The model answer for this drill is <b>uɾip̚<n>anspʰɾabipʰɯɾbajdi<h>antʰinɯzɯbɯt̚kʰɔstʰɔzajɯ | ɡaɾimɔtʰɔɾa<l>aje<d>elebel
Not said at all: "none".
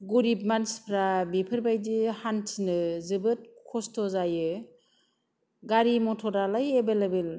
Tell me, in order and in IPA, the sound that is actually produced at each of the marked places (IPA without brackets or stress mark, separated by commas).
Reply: ɡ, m, h, l, b